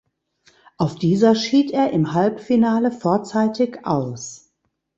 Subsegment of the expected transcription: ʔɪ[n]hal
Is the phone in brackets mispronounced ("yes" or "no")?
yes